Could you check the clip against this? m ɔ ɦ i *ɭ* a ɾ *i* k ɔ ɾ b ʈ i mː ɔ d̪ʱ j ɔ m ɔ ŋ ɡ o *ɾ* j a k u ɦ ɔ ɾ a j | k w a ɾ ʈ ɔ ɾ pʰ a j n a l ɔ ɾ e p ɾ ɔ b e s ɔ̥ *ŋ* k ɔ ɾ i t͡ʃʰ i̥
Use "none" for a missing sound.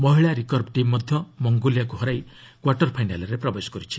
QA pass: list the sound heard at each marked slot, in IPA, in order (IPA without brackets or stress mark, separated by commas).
ɭ, i, l, none